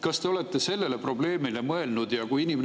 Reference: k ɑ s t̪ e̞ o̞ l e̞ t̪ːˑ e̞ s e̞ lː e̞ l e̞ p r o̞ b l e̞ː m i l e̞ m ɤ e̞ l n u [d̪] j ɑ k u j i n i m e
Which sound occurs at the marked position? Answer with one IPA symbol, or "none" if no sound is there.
d̪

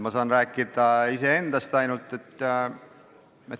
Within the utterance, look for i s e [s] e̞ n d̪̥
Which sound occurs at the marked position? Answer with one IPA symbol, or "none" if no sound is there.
none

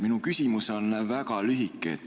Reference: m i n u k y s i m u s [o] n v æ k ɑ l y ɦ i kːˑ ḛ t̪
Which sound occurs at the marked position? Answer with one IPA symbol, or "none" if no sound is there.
o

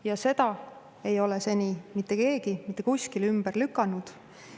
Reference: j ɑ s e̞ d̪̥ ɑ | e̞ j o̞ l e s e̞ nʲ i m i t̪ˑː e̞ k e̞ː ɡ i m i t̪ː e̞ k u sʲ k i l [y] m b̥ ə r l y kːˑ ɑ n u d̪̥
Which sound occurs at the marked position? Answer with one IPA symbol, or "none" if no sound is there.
y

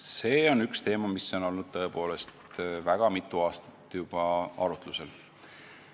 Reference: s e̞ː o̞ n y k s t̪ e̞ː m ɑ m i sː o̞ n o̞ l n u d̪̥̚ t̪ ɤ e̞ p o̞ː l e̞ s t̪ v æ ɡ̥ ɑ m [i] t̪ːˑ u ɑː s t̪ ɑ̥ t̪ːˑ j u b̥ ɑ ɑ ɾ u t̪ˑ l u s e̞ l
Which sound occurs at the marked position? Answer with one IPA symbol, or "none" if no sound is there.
i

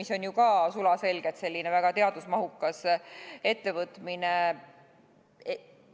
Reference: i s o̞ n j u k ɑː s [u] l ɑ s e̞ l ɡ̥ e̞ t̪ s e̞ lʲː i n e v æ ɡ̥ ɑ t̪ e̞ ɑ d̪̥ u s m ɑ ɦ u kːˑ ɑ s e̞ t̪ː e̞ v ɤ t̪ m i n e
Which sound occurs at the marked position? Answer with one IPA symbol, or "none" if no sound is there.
u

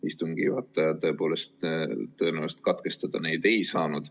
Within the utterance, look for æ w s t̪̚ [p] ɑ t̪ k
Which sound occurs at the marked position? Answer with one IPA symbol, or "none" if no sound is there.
k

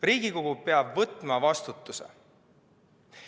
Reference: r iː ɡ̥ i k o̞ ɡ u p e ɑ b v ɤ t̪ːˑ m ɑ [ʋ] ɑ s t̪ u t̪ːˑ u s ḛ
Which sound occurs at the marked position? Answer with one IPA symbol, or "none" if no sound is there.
v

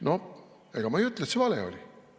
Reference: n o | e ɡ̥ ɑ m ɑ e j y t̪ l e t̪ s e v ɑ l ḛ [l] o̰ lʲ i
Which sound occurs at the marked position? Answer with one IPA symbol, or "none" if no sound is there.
none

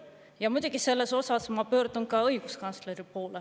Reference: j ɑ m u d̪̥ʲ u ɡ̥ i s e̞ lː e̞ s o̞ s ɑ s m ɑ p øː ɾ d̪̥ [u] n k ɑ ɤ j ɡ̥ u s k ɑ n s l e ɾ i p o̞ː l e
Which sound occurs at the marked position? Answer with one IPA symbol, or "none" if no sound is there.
u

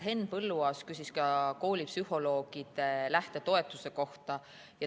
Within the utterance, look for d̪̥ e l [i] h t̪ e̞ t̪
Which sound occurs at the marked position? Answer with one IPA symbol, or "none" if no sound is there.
æ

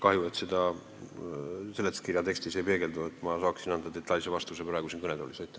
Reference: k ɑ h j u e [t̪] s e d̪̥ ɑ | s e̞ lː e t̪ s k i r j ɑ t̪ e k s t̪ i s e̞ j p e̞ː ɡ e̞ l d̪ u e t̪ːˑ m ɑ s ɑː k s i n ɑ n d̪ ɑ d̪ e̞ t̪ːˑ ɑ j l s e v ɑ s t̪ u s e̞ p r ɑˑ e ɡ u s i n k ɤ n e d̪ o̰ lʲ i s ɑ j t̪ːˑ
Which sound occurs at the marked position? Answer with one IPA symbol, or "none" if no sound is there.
t̪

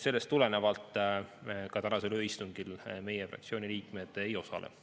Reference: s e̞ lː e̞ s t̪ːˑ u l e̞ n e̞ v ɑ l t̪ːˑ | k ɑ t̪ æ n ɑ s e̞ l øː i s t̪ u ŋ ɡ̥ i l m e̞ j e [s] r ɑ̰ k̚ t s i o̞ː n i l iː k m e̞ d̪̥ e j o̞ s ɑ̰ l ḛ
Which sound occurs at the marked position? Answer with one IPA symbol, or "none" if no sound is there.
f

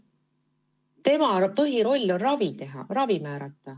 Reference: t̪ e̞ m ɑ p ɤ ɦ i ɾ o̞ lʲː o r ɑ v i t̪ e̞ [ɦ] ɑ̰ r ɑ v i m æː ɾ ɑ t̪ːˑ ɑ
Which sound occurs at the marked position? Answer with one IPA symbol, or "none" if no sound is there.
ɦ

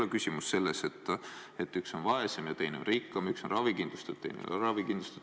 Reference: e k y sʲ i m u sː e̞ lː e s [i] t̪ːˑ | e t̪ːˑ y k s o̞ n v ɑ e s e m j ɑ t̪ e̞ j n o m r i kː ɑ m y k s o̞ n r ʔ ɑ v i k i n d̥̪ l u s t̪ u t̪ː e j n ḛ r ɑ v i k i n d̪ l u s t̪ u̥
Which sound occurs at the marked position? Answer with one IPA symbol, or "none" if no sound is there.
e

